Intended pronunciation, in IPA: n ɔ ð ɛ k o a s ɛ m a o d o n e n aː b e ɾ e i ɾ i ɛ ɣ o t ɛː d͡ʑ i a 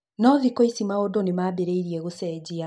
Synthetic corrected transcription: n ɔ ð i k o i s i m a o d o n e m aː b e ɾ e i ɾ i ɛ ɣ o s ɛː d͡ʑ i a